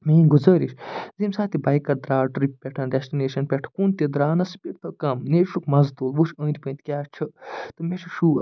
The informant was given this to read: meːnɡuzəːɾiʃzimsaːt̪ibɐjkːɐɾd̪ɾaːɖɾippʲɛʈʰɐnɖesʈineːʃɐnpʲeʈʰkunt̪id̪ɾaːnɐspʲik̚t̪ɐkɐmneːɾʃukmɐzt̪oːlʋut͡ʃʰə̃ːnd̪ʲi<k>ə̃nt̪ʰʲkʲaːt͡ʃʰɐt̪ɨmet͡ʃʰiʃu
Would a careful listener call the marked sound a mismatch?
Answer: yes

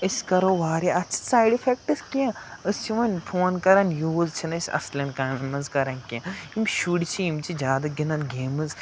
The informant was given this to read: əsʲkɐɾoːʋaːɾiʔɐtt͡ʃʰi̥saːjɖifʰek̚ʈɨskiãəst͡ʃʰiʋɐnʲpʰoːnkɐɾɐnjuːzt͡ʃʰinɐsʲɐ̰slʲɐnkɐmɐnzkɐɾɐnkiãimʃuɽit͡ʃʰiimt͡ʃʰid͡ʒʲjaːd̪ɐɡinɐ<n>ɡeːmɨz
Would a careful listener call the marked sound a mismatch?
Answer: no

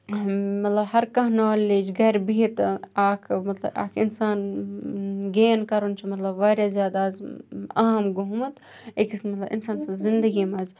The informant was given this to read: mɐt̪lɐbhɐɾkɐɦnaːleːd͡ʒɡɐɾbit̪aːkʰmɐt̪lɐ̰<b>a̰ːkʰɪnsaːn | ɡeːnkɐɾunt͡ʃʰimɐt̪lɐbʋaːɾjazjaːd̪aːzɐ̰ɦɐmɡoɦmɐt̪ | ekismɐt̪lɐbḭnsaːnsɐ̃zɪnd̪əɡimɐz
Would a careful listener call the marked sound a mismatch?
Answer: no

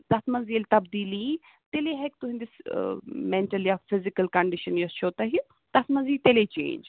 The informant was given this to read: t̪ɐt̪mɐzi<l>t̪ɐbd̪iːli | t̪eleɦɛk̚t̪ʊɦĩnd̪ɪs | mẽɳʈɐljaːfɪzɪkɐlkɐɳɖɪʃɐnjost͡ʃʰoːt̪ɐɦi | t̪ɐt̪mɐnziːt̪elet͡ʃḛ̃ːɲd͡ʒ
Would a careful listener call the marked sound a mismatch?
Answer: no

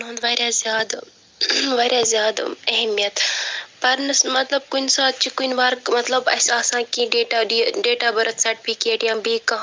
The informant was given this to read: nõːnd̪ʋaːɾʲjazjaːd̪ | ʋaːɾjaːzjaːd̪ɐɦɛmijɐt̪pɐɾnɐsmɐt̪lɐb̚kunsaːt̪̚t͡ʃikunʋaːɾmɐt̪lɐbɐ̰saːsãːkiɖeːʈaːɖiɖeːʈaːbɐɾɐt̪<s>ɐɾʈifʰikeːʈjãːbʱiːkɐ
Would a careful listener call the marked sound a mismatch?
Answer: no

